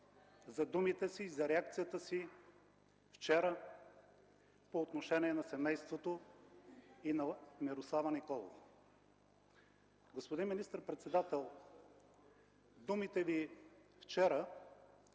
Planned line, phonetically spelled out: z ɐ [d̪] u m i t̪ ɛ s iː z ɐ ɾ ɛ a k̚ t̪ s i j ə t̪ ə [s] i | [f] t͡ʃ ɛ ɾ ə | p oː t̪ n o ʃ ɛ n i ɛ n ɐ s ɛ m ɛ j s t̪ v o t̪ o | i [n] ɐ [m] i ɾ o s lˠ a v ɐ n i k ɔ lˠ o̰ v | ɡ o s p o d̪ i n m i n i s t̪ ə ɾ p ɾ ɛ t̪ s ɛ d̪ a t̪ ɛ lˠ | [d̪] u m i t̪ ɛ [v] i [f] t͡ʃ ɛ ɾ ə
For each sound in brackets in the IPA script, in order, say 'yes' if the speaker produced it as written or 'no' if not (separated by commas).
yes, yes, yes, yes, yes, yes, yes, yes